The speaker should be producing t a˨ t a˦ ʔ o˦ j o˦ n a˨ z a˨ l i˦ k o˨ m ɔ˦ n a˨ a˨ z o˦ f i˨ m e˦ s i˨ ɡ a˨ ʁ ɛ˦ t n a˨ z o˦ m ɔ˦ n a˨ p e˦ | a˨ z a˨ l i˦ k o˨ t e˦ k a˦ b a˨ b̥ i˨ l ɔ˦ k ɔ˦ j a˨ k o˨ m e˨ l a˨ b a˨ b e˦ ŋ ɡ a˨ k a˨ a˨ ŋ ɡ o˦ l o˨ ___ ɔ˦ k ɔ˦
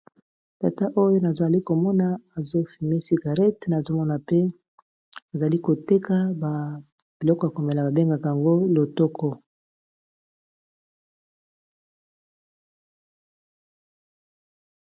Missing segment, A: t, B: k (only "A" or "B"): A